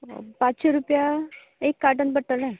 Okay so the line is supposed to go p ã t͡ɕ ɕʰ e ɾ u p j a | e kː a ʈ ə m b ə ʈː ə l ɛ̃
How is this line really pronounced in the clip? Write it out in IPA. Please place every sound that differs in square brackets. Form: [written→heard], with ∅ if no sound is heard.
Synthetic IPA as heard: p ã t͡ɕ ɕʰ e ɾ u p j a | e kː a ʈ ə [m→n] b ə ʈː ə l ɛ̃